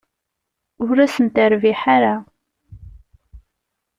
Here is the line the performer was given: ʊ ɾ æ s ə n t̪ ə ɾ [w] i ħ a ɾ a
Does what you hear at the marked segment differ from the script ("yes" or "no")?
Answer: yes